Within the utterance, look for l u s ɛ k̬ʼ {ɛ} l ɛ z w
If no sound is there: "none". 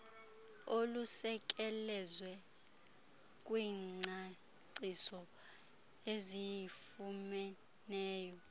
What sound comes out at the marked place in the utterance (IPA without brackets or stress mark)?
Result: ɛ